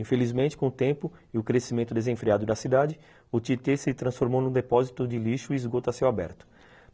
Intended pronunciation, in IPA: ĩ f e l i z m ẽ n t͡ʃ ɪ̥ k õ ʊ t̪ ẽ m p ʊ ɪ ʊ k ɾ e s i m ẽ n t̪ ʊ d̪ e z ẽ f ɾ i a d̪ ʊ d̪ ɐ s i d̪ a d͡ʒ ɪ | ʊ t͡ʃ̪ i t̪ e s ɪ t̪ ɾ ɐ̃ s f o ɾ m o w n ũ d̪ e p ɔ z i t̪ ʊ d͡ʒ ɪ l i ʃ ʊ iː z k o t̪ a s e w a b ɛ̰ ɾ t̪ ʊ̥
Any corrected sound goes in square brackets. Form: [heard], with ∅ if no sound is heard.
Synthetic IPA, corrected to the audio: ĩ f e l i z m ẽ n t͡ʃ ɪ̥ k õ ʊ t̪ ẽ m p ʊ ɪ ʊ k ɾ e s i m ẽ n t̪ ʊ d̪ e z ẽ f ɾ i a d̪ ʊ d̪ ɐ s i d̪ a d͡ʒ ɪ | ʊ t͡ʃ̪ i t̪ e s ɪ t̪ ɾ ɐ̃ s f o ɾ m o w n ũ d̪ e p ɔ z i t̪ ʊ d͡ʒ ɪ l i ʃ ʊ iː z [ɡ] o t̪ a s e w a b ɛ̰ ɾ t̪ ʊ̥